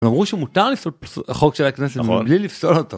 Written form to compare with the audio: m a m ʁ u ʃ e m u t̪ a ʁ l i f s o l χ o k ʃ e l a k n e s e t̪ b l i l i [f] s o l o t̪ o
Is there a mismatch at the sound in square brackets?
no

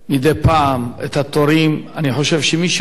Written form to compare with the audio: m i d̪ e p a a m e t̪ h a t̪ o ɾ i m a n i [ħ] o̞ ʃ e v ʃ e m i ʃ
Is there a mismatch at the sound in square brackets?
no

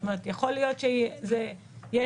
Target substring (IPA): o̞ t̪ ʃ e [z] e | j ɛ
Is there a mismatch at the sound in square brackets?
no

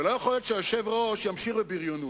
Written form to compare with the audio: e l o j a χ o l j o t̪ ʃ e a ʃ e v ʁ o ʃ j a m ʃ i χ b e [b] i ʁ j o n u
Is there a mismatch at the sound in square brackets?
no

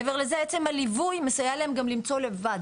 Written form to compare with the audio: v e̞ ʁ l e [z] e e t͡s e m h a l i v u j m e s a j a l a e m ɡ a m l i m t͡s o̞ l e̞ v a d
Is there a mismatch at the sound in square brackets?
no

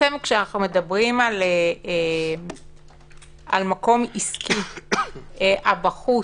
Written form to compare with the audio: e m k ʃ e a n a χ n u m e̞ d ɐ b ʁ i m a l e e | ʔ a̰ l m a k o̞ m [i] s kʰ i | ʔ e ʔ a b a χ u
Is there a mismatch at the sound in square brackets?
no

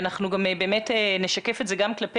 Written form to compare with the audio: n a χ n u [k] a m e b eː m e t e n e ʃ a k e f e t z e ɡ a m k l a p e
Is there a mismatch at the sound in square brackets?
yes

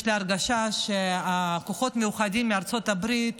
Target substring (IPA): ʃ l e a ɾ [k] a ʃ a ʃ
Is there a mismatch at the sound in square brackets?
yes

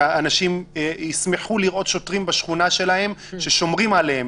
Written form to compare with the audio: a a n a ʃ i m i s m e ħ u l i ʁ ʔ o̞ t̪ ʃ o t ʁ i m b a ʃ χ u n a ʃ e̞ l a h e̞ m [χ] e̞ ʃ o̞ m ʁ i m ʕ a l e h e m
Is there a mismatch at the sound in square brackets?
yes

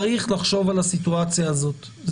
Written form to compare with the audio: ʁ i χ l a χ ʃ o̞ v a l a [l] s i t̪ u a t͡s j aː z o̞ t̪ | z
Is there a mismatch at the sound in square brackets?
yes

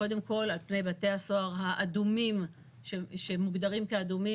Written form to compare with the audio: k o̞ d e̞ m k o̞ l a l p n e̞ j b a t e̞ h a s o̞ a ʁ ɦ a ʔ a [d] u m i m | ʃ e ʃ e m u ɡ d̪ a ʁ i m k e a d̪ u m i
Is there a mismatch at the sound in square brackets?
no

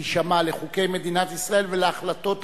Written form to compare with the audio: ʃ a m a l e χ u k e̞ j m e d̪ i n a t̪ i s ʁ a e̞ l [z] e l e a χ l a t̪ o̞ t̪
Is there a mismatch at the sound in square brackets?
yes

